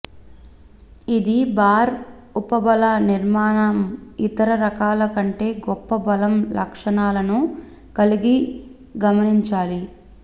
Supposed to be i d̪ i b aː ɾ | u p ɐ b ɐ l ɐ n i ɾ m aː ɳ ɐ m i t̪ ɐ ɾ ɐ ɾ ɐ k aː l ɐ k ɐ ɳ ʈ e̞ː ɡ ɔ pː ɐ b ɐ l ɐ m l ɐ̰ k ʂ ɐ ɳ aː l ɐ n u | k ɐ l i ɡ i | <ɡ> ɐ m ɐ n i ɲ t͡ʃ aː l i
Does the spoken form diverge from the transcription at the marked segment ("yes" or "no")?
no